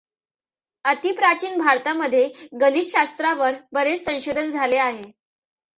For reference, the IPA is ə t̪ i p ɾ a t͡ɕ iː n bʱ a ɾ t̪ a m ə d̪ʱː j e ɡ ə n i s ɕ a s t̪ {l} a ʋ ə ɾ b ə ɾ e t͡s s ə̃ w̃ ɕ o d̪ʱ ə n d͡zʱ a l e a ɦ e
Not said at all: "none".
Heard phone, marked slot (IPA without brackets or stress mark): ɾ